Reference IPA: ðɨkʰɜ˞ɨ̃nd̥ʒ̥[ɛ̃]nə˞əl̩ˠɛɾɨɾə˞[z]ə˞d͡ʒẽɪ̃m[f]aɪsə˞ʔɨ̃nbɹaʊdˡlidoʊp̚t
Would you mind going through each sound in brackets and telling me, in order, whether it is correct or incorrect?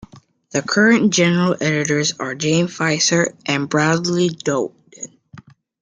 incorrect, correct, correct

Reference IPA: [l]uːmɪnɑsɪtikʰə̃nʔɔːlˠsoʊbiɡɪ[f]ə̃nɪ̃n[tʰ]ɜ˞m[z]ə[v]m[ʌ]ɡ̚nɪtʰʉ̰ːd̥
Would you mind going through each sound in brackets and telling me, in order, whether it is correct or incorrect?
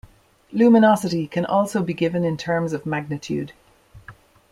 correct, incorrect, correct, correct, correct, incorrect

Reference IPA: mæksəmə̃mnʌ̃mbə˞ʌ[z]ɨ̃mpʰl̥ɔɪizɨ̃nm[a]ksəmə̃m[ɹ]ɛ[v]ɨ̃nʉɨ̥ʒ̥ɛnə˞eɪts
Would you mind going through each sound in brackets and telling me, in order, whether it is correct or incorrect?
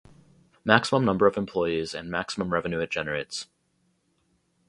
incorrect, incorrect, correct, correct

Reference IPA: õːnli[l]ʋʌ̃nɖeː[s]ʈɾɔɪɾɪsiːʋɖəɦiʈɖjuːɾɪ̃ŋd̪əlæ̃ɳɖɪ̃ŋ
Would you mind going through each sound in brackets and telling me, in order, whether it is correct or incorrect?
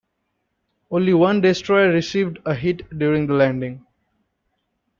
incorrect, correct

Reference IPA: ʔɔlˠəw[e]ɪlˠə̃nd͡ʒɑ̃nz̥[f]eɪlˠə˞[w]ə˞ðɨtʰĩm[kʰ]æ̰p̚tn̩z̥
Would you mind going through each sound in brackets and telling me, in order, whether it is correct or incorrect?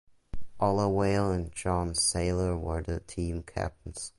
correct, incorrect, correct, correct

